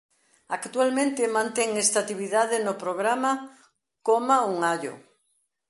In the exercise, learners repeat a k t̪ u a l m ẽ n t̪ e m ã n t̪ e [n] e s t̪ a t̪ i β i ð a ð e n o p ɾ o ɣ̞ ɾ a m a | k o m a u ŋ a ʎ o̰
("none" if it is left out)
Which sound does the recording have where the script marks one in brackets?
ŋ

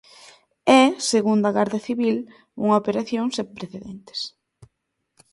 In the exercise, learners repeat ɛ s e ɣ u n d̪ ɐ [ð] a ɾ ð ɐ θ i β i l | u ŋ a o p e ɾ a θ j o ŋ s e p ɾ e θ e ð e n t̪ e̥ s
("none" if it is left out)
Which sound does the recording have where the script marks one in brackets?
ɣ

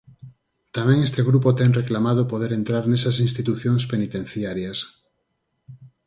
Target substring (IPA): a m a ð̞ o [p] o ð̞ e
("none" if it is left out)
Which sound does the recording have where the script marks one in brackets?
p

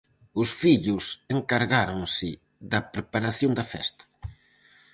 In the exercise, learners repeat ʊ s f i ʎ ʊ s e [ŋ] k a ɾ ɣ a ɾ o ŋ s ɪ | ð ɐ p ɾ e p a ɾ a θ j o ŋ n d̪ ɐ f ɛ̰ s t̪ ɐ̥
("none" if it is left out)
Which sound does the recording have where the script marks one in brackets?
ŋ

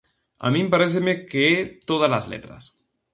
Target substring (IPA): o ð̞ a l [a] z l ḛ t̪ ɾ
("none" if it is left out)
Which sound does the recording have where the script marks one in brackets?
a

